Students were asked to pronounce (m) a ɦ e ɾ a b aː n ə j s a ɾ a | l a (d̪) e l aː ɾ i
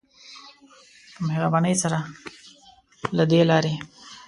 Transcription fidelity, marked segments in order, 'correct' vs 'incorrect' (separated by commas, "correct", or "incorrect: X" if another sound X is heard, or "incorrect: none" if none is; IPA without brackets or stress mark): correct, correct